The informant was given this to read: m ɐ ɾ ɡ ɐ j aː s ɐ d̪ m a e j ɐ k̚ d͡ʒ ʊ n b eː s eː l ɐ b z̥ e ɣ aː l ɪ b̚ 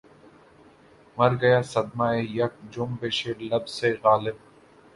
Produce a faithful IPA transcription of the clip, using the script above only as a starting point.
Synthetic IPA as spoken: m ɐ ɾ ɡ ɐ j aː s ɐ d̪ m a e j ɐ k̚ d͡ʒ ʊ m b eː ʃ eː l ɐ b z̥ e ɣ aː l ɪ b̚